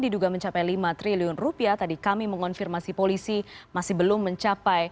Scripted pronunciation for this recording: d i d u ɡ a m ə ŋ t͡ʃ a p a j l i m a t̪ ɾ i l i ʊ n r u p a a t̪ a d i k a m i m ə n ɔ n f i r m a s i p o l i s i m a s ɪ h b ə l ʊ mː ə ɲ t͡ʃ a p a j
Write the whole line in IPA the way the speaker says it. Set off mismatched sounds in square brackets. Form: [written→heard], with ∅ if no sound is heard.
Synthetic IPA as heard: d i d u ɡ a m ə [ŋ→ɲ] t͡ʃ a p a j l i m a t̪ ɾ i l i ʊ n r u p [a→i] a t̪ a d i k a m i m ə [n→ŋ] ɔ n f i r m a s i p o l i s i m a s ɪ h b ə l ʊ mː ə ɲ t͡ʃ a p a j

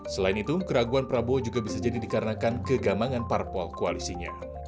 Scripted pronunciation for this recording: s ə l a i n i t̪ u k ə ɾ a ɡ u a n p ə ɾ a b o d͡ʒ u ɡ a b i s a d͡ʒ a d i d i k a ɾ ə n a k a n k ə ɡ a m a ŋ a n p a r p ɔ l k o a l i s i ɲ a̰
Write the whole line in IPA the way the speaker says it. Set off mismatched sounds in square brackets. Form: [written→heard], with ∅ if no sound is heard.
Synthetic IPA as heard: s ə l a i n i t̪ u k ə ɾ a ɡ u a n p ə ɾ a b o d͡ʒ u ɡ a b i s a d͡ʒ a d i d i k a ɾ ə n a k a n k ə ɡ a m a ŋ a n p a r p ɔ l k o a l i s i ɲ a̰

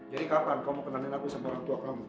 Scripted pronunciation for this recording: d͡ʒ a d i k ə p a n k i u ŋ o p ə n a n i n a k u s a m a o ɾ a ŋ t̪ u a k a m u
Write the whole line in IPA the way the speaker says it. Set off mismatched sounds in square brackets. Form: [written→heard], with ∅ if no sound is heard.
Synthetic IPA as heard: d͡ʒ a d i k [ə→a] p a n k [i→a] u [ŋ→m] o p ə n a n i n a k u s a m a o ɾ a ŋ t̪ u a k a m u

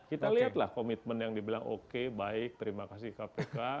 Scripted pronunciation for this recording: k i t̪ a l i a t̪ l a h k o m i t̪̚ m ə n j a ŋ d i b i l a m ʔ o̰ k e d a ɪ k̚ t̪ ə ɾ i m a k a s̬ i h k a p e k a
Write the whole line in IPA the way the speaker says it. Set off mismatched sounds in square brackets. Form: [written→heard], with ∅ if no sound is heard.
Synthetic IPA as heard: k i t̪ a l i a t̪ l a h k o m i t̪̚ m ə n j a ŋ d i b i l a [m→ŋ] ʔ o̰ k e [d→b] a ɪ k̚ t̪ ə ɾ i m a k a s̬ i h k a p e k a

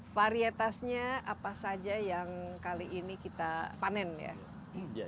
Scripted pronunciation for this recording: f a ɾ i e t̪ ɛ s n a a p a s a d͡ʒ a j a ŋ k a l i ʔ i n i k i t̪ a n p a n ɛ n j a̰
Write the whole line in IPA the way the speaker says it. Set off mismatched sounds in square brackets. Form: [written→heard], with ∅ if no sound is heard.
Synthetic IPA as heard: f a ɾ i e t̪ [ɛ→a] s [n→ɲ] a a p a s a d͡ʒ a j a ŋ k a l i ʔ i n i k i t̪ a [n→∅] p a n ɛ n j a̰

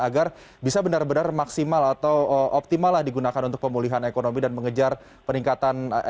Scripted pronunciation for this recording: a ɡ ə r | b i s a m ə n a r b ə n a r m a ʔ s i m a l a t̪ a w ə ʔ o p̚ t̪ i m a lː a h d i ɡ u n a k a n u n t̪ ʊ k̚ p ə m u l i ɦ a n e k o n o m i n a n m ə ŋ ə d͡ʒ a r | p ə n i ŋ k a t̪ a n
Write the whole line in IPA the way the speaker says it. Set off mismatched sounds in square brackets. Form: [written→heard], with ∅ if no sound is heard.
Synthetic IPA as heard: a ɡ [ə→a] r | b i s a [m→b] ə n a r b ə n a r m a [ʔ→k] s i m a l a t̪ a w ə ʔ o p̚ t̪ i m a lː a h d i ɡ u n a k a n u n t̪ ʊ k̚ p ə m u l i ɦ a n e k o n o m i [n→d] a n m ə ŋ ə d͡ʒ a r | p ə n i ŋ k a t̪ a n

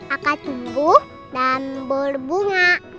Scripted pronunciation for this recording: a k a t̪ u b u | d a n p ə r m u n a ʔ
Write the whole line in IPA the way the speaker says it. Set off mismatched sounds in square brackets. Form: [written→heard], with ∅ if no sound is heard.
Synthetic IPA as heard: a k a t̪ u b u | d a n [p→b] ə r [m→b] u [n→ŋ] a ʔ

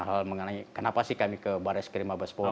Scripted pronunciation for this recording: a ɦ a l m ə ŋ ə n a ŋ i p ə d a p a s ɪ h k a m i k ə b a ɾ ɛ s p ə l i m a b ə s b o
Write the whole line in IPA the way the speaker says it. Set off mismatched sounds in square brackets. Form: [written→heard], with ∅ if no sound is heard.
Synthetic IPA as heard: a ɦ a l m ə ŋ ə n a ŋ i [p→k] ə [d→n] a p a s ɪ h k a m i k ə b a ɾ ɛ s [p→k] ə [l→ɾ] i m a b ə s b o

